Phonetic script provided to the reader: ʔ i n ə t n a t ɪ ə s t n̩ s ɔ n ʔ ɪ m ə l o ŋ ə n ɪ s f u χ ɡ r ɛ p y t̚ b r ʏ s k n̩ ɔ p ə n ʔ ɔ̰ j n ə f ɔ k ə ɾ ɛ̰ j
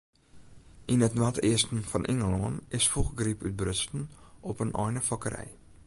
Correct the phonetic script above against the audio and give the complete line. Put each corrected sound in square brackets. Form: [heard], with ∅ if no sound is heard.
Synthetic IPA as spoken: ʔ i n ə t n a t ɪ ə s t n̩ [f] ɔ n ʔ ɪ [ŋ] ə l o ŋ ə n ɪ s f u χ ɡ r [i] p y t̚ b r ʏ s [t] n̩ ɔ p ə n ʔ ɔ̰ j n ə f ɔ k ə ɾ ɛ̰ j